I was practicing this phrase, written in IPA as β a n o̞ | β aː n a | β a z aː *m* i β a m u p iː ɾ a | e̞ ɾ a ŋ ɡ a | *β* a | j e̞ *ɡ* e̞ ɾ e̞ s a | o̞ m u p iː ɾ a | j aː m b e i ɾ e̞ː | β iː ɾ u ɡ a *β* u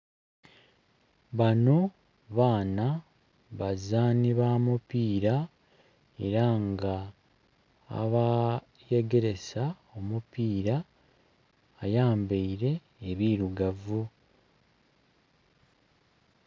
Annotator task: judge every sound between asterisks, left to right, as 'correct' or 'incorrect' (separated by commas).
incorrect, correct, correct, incorrect